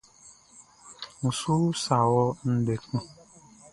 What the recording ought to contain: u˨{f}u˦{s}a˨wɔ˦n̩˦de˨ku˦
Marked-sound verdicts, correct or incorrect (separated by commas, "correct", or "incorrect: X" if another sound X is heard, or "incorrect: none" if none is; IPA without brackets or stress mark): incorrect: s, correct